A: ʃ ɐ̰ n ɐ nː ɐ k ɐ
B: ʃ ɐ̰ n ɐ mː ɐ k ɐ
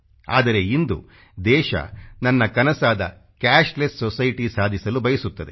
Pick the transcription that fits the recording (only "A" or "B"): A